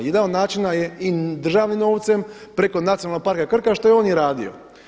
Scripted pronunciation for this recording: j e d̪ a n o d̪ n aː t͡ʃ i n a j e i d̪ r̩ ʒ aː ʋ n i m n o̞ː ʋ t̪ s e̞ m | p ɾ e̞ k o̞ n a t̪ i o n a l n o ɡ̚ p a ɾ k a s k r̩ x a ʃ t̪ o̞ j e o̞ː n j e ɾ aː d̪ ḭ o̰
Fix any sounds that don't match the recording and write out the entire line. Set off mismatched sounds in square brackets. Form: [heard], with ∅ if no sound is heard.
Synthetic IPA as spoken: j e d̪ a n o d̪ n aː t͡ʃ i n a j e i d̪ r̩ ʒ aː ʋ n i m n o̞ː ʋ t̪ s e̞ m | p ɾ e̞ k o̞ n a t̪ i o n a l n o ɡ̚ p a ɾ k a [∅] k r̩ [k] a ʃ t̪ o̞ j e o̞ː n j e ɾ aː d̪ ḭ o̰